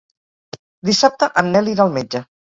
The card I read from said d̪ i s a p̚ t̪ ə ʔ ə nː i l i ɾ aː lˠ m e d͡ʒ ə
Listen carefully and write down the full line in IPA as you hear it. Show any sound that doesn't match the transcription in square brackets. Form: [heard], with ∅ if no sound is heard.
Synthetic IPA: d̪ i s a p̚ t̪ ə ʔ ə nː [ɛ] l i ɾ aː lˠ m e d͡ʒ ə